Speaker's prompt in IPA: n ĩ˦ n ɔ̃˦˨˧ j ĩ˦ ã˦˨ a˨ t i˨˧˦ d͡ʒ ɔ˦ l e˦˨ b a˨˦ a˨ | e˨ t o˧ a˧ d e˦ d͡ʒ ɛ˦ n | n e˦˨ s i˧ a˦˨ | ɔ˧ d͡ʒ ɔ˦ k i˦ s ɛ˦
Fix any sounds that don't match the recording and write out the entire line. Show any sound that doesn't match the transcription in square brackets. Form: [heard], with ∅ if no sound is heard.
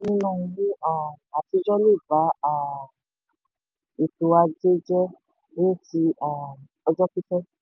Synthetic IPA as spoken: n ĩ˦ n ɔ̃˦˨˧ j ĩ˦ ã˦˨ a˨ t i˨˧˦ d͡ʒ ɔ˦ l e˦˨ b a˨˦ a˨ | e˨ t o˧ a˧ [d͡ʒ] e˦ d͡ʒ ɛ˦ [∅] | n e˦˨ [t] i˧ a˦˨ | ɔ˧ d͡ʒ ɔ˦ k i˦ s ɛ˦